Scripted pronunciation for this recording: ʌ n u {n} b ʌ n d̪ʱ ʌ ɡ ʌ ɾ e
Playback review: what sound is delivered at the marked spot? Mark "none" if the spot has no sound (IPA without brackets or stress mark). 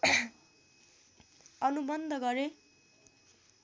none